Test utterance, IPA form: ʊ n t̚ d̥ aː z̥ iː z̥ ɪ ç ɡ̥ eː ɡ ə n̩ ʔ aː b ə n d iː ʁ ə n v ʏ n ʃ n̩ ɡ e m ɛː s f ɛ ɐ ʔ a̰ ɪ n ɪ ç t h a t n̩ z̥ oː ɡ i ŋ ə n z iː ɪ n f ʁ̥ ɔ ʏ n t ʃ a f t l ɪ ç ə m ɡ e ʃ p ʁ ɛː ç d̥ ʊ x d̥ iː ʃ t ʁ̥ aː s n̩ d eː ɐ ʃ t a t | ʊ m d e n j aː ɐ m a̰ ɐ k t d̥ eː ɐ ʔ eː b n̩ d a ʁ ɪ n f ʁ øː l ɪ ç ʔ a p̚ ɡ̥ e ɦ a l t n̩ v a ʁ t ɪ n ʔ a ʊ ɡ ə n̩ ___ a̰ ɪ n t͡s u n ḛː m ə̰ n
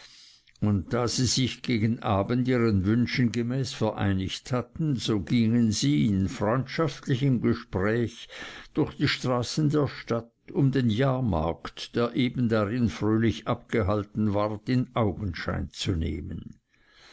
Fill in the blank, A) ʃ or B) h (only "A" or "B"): A